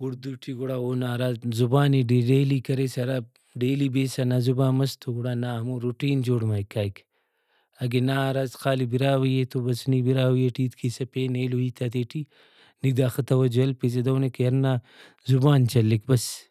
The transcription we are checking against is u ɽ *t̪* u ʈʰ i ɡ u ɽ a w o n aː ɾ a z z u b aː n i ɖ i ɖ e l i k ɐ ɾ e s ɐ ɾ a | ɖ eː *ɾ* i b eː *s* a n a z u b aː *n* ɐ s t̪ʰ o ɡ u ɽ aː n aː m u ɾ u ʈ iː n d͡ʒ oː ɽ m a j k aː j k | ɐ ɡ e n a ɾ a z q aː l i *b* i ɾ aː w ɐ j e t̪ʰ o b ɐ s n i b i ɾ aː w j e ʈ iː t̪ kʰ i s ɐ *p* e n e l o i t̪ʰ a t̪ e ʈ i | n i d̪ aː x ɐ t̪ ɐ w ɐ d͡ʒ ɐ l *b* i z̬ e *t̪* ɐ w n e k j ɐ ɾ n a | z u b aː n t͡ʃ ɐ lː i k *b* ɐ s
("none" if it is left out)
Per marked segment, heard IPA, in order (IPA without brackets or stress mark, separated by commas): d̪, l, s, m, b, p, p, d̪, b